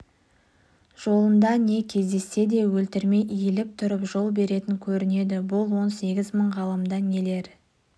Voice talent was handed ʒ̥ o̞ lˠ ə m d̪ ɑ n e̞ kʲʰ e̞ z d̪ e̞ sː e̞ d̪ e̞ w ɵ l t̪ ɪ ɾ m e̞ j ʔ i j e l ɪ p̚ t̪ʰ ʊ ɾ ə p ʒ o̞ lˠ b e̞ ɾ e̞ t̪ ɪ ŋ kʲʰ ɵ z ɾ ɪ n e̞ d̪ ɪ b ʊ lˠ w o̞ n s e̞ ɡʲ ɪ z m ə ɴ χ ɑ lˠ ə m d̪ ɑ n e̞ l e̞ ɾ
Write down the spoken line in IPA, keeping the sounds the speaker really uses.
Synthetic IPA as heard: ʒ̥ o̞ lˠ ə m d̪ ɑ n e̞ kʲʰ e̞ z d̪ e̞ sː e̞ d̪ e̞ w ɵ l t̪ ɪ ɾ m e̞ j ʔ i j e l ɪ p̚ t̪ʰ ʊ ɾ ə p ʒ o̞ lˠ b e̞ ɾ e̞ t̪ ɪ ŋ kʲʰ ɵ ɾ ɪ n e̞ d̪ ɪ b ʊ lˠ w o̞ n s e̞ ɡʲ ɪ z m ə ɴ ʁ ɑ lˠ ə m d̪ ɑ n e̞ l e̞ ɾ